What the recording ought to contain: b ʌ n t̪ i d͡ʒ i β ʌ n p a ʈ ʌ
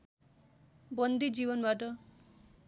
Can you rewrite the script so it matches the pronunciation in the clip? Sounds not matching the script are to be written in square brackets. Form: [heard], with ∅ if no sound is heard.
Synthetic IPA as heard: b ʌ n [d̪] i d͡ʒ i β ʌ n [b] a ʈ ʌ